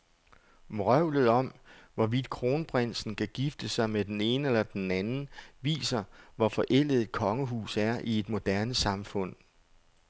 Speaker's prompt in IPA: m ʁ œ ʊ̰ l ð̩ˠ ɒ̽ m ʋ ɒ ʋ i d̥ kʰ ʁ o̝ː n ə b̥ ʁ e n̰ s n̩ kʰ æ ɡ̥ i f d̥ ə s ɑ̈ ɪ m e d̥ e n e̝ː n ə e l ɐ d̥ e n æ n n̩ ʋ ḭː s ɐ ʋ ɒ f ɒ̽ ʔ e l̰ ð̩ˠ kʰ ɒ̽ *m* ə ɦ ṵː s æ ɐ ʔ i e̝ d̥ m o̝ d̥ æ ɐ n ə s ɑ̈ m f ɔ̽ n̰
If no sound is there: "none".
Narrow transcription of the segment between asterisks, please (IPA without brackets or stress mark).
ŋ